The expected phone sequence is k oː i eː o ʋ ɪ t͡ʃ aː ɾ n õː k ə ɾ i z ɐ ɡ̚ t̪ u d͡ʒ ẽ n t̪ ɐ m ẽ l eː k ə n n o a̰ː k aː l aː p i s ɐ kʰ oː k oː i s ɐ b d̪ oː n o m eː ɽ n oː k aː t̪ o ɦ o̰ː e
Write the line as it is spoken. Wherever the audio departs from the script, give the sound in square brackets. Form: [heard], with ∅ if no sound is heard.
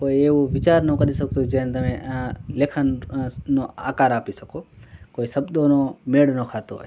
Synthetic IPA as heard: k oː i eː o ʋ ɪ t͡ʃ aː ɾ n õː k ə ɾ i [s] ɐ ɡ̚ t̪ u d͡ʒ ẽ n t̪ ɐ m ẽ l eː [kʰ] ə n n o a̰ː k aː [ɾ] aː p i s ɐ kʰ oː k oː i s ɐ b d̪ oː n o m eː ɽ n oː [kʰ] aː t̪ o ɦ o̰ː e